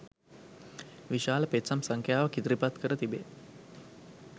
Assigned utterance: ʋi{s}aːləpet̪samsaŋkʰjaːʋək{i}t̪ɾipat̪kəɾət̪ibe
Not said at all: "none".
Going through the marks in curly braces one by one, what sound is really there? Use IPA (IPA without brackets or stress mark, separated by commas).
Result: ʃ, i